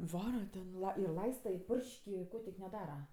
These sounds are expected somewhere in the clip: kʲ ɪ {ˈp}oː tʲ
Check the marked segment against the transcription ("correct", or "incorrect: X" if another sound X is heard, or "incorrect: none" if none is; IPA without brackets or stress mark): incorrect: k